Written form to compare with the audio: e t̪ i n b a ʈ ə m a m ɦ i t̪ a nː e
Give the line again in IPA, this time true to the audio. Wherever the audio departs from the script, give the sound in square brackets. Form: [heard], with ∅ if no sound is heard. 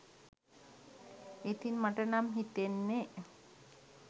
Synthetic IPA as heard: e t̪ i n [m] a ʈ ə [n] a m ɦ i t̪ [e] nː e